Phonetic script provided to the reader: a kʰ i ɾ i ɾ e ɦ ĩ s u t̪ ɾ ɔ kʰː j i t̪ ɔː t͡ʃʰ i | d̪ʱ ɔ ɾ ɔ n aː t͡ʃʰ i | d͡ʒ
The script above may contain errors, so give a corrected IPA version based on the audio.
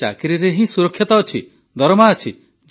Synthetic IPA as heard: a k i ɾ i ɾ e ɦ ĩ s u ɾ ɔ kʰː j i t̪ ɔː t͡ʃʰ i | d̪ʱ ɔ ɾ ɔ m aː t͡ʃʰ i | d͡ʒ